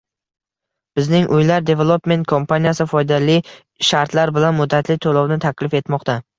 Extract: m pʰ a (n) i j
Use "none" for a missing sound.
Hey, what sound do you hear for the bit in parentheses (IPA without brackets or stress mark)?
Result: n